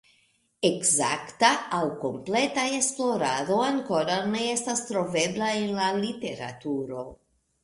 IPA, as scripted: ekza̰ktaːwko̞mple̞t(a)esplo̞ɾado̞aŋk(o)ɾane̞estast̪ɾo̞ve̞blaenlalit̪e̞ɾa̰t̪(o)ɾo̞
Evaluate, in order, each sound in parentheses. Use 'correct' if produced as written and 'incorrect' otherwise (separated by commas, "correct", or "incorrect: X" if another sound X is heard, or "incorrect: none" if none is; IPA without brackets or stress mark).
correct, correct, incorrect: u